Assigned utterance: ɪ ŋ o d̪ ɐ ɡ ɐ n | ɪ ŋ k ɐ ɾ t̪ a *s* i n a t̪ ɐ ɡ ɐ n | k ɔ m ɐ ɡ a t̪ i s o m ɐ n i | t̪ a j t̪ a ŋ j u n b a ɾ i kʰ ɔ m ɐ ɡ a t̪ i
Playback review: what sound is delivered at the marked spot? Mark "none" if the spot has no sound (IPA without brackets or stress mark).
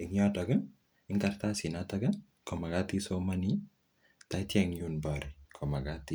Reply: s